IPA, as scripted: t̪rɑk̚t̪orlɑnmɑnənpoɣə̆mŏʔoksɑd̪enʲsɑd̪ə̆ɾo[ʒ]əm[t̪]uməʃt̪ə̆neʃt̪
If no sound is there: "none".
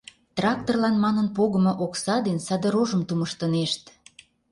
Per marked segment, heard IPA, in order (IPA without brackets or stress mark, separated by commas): ʒ, t̪